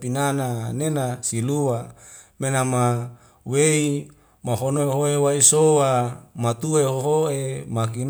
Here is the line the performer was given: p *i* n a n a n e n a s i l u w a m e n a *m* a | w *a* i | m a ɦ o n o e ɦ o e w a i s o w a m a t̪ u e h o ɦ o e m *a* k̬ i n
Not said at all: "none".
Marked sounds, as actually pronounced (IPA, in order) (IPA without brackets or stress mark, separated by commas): i, m, e, a